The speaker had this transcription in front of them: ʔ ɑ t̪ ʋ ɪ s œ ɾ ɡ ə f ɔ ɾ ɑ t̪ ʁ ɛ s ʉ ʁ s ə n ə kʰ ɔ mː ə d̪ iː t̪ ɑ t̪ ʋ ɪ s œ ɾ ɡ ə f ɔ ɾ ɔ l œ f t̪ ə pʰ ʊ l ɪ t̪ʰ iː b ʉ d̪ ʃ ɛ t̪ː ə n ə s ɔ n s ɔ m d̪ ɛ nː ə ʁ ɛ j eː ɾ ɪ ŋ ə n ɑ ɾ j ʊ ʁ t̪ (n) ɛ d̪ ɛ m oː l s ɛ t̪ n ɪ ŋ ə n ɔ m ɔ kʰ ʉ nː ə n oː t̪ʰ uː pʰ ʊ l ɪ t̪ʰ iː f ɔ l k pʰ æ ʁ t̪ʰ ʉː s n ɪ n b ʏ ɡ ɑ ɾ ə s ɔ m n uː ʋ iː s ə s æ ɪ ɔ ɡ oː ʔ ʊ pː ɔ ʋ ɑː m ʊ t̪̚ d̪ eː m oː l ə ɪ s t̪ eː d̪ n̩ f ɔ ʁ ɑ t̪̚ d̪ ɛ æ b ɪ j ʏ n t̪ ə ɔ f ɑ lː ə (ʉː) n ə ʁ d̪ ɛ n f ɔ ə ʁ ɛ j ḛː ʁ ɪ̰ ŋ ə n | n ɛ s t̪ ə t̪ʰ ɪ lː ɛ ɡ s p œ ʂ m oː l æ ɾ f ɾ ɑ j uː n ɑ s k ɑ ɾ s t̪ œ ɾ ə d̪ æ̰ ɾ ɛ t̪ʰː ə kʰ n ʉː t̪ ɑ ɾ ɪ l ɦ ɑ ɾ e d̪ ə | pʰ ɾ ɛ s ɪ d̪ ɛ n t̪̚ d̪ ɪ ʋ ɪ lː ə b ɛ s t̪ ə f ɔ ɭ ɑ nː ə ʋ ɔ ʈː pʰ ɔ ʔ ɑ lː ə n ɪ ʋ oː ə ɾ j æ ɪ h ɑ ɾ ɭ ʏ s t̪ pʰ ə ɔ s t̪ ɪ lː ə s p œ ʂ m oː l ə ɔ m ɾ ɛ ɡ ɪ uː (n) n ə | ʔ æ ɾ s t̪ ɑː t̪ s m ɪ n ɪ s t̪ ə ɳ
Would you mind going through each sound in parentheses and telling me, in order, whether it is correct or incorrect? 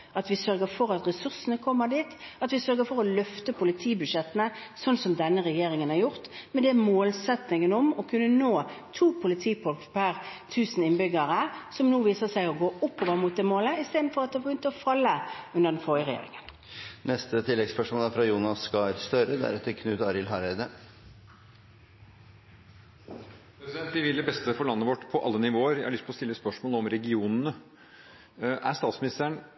incorrect: m, incorrect: ʉ, correct

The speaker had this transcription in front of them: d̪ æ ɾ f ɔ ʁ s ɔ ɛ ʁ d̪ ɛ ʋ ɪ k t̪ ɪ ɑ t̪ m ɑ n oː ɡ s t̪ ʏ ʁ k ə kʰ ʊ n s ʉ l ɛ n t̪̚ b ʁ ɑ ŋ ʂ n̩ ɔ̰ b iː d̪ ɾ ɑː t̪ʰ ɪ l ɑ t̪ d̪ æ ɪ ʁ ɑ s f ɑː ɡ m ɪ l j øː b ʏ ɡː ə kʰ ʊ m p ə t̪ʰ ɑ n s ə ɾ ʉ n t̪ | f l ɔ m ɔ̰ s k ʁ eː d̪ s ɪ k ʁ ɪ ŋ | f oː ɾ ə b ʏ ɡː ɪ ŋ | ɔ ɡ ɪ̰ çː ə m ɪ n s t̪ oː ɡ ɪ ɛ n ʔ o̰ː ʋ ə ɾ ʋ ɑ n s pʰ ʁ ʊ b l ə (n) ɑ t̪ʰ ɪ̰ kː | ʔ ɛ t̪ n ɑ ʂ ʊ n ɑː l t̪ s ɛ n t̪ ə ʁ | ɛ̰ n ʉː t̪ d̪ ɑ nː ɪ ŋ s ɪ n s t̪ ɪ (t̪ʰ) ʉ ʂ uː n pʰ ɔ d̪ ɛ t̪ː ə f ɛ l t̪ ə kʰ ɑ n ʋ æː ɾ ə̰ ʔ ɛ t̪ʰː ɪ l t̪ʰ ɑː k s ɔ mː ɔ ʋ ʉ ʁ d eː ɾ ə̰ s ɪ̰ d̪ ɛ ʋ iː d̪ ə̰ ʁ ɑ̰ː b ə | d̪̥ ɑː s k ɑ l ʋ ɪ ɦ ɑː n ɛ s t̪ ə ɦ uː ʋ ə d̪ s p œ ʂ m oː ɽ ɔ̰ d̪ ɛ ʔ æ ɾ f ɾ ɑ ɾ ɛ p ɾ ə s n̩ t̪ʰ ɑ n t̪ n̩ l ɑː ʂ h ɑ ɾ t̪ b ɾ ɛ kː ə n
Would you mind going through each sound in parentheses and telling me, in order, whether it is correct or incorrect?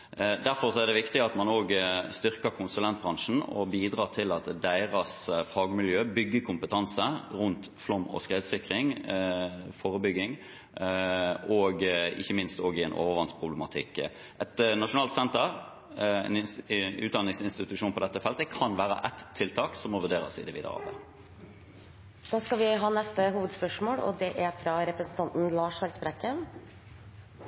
incorrect: m, incorrect: t̪

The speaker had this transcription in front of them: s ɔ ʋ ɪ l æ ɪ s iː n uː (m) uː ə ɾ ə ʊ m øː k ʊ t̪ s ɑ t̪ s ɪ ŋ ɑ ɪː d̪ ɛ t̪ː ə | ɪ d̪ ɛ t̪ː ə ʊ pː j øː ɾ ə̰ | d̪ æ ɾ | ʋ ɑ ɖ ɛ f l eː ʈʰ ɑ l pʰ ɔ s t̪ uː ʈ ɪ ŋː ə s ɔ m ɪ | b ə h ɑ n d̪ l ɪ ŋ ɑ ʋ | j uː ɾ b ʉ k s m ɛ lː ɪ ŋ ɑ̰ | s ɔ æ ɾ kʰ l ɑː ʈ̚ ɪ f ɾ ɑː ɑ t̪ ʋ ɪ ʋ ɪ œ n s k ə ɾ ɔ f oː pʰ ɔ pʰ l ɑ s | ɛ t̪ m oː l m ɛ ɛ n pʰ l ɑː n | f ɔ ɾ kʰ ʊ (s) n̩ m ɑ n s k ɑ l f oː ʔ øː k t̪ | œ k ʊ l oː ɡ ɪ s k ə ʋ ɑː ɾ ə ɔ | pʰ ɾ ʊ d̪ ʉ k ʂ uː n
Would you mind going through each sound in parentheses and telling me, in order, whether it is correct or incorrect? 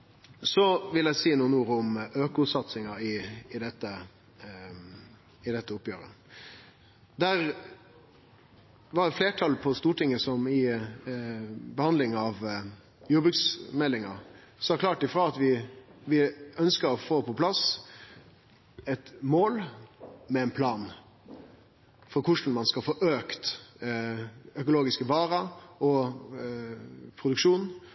incorrect: n, incorrect: ʂ

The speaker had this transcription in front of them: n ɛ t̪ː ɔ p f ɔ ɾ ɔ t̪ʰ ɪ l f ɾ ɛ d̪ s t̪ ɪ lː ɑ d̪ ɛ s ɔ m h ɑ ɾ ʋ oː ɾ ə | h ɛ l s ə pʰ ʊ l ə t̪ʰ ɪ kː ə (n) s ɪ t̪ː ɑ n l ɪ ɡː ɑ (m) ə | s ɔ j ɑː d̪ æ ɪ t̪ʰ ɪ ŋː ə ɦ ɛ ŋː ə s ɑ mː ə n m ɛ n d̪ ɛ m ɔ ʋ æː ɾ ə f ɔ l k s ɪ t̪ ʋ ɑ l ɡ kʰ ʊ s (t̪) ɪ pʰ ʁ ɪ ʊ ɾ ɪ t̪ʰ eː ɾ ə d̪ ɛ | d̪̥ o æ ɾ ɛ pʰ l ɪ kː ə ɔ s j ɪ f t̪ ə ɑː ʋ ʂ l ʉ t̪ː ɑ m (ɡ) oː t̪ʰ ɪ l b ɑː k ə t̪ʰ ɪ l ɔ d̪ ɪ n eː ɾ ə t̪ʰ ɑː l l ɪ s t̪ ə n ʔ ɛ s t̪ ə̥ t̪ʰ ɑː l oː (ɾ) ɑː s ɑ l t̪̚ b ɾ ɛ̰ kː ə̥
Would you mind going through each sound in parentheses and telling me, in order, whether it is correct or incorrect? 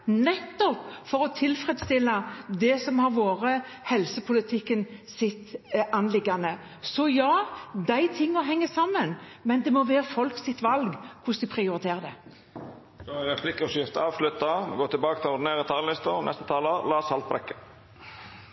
correct, incorrect: n, incorrect: d̪, correct, incorrect: l

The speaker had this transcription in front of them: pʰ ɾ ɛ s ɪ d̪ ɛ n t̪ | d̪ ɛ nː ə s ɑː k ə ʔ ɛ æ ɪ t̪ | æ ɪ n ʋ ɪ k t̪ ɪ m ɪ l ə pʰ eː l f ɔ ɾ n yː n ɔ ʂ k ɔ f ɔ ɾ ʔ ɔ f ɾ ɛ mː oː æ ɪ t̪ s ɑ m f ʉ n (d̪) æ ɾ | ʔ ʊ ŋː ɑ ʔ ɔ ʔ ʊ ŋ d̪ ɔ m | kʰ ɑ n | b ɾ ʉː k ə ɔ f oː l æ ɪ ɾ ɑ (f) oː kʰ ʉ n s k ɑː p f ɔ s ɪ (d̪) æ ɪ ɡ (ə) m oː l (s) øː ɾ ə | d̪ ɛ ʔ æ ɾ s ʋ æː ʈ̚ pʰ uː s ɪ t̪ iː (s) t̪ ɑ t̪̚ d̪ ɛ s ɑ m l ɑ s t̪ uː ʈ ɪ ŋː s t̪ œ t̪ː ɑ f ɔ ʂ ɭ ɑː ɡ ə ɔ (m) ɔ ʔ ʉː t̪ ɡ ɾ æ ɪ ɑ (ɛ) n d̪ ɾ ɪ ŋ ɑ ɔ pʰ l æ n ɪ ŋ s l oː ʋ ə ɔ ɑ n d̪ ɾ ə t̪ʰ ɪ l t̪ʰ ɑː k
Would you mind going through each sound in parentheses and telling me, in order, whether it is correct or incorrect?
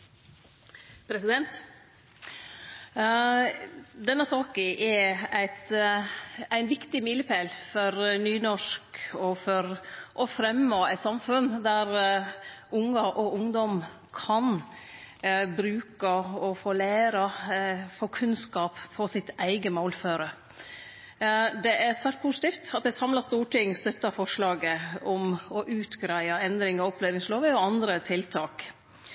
correct, correct, incorrect: t̪, correct, incorrect: f, incorrect: f, correct, correct

